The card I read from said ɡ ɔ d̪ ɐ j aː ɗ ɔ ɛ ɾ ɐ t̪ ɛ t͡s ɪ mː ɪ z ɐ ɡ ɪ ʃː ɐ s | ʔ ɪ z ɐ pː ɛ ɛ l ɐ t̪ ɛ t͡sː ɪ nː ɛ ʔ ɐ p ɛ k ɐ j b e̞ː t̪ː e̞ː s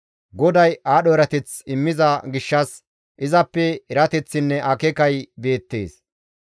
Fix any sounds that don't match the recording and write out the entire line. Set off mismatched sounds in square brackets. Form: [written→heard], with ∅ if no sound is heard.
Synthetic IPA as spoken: ɡ ɔ d̪ ɐ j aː ɗ ɔ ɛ ɾ ɐ t̪ ɛ t͡s ɪ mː ɪ z ɐ ɡ ɪ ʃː ɐ s | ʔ ɪ z ɐ pː ɛ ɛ [l→ɾ] ɐ t̪ ɛ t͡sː ɪ nː ɛ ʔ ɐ [p→k] ɛ k ɐ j b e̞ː t̪ː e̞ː s